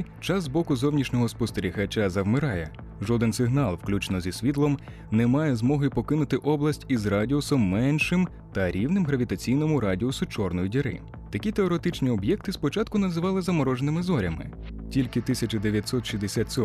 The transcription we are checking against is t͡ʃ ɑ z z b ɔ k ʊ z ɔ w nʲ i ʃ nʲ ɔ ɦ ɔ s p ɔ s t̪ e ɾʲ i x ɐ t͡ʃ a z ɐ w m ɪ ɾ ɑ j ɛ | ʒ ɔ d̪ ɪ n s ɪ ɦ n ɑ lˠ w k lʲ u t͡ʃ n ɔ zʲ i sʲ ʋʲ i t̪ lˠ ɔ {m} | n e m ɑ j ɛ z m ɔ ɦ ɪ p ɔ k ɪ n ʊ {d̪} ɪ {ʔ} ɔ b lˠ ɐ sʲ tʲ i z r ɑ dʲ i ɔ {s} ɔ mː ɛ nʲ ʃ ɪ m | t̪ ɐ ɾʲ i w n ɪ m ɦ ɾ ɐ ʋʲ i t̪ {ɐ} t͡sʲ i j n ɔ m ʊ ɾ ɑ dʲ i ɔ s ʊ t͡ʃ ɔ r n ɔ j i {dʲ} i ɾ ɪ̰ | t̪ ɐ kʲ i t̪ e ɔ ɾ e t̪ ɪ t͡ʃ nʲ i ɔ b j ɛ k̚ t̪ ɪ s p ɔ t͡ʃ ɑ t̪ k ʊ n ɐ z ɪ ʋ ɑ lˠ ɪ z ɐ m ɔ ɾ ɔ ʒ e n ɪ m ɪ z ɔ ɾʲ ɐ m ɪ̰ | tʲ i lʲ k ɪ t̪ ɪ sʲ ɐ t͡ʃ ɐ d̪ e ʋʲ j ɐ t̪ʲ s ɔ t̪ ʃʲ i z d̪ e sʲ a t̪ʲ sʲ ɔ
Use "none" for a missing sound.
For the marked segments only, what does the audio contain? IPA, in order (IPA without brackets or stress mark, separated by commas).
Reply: m, t̪, ʔ, s, ɐ, dʲ